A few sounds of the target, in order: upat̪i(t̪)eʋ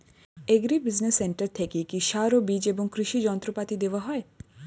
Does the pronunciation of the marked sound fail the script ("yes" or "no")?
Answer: yes